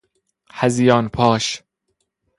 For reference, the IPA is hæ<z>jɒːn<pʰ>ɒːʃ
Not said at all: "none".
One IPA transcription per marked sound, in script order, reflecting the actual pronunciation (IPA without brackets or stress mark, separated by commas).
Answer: z, pʰ